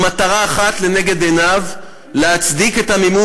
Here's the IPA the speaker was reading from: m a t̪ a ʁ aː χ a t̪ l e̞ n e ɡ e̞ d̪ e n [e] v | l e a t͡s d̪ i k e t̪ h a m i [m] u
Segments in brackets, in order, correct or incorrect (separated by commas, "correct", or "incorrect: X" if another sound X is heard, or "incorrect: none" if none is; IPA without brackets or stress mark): incorrect: a, correct